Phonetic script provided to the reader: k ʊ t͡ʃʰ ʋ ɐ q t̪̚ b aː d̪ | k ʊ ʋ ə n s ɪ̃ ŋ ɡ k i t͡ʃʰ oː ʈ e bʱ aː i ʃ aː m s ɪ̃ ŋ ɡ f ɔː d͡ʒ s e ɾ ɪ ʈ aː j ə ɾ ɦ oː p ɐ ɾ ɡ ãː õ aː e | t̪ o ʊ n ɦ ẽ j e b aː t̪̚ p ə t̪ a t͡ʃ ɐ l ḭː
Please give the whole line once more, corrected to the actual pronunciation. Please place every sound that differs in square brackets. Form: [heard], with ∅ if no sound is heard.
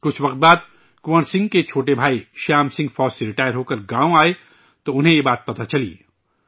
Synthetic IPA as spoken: k ʊ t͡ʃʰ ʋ ɐ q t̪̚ b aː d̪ | k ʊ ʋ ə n s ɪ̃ ŋ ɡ k [e] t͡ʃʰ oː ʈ e bʱ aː i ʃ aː m s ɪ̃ ŋ ɡ f ɔː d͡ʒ s e ɾ ɪ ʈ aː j ə ɾ ɦ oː [k] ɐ ɾ ɡ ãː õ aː e | t̪ o ʊ n ɦ ẽ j e b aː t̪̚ p [ɐ] t̪ a t͡ʃ ɐ l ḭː